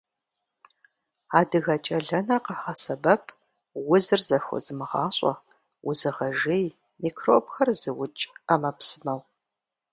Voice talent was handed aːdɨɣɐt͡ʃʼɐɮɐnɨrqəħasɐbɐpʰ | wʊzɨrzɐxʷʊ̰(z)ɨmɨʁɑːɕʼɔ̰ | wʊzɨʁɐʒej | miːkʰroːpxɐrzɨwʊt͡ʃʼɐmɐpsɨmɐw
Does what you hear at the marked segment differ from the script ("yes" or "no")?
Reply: no